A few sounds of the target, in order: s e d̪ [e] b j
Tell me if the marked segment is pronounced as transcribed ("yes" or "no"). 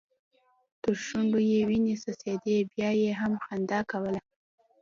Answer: yes